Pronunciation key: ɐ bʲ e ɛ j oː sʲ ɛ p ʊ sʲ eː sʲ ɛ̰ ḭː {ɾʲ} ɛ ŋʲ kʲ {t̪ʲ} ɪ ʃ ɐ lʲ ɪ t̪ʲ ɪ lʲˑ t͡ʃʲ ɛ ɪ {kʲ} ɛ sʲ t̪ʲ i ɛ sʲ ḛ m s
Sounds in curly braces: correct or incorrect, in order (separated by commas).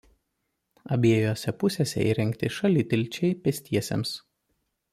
correct, correct, incorrect